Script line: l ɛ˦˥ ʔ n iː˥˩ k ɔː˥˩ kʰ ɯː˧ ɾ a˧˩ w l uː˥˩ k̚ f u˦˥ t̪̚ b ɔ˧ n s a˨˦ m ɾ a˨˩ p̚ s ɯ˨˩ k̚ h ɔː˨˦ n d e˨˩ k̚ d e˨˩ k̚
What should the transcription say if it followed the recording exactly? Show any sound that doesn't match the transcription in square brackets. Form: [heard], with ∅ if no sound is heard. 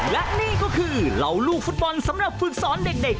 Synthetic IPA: l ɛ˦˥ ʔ n iː˥˩ k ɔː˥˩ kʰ ɯː˧ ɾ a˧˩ w l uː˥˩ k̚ f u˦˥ t̪̚ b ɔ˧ n s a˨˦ m ɾ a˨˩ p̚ [f] ɯ˨˩ k̚ [s] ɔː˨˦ n d e˨˩ k̚ d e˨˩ k̚